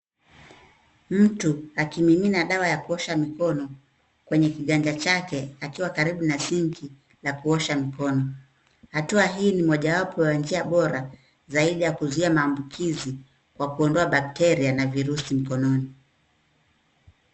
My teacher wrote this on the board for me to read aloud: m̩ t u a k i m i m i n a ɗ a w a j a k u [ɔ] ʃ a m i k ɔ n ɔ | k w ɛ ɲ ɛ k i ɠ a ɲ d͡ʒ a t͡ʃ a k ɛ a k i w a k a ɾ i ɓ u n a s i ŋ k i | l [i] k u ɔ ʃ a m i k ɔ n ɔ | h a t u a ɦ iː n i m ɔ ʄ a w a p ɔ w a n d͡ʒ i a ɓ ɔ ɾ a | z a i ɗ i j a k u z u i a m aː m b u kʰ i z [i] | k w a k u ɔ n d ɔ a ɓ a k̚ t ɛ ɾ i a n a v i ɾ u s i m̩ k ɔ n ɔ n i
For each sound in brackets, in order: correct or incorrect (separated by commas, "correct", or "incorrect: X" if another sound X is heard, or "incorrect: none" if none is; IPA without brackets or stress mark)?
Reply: correct, incorrect: a, correct